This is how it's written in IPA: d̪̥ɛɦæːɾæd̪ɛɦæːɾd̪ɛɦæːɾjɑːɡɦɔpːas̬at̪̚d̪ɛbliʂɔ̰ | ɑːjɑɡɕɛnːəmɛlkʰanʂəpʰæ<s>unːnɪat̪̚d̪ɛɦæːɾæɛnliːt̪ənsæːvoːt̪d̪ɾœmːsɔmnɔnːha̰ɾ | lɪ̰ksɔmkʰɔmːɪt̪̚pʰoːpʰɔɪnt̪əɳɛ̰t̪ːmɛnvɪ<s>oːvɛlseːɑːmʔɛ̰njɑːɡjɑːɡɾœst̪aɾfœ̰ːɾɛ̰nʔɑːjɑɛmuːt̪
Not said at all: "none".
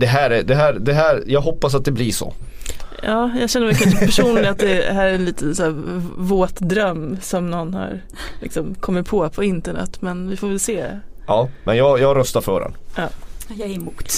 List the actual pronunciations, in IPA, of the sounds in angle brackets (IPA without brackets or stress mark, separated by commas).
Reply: ʂ, f